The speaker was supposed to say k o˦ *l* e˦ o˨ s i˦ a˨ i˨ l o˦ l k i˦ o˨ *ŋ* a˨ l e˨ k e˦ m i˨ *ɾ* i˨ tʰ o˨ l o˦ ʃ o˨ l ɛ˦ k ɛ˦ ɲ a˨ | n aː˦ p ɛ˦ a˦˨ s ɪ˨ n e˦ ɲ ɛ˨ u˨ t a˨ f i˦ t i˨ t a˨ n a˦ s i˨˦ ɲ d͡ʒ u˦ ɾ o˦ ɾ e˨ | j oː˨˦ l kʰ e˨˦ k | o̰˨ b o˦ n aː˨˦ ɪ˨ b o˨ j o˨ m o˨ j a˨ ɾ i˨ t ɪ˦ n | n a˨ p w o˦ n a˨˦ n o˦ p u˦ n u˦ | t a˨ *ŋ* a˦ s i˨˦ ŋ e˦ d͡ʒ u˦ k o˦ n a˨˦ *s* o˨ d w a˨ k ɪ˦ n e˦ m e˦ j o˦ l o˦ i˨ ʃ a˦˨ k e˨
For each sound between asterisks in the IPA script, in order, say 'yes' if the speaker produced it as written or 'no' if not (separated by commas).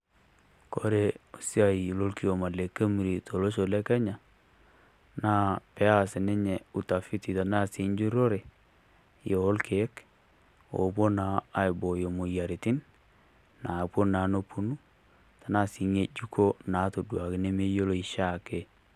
no, no, yes, no, no